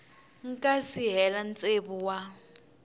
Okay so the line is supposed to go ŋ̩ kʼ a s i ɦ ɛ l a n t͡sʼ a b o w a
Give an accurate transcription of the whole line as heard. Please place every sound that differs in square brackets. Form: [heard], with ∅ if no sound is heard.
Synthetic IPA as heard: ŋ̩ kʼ a s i ɦ ɛ l a n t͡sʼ [e] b [u] w a